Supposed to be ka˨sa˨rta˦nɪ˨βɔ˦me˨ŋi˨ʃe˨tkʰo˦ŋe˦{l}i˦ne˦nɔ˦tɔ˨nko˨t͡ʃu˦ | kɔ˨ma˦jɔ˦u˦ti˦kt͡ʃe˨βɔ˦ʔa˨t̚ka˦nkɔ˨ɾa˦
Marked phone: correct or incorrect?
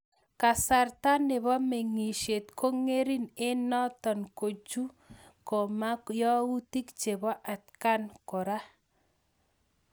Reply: incorrect